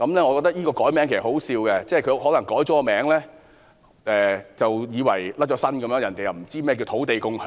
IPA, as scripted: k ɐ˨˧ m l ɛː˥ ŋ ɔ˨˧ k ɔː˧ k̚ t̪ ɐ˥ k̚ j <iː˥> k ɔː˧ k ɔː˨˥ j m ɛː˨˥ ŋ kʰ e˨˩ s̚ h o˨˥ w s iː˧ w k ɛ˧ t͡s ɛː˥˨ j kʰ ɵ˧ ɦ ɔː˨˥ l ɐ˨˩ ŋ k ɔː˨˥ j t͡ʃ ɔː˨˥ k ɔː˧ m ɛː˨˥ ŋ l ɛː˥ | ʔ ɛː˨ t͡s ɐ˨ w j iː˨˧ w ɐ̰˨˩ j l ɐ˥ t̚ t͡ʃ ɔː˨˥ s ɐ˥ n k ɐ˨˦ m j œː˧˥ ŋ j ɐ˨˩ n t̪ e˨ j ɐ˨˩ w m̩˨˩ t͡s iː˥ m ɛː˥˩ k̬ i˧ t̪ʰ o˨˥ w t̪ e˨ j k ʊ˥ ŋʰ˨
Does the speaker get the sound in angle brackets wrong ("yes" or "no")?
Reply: no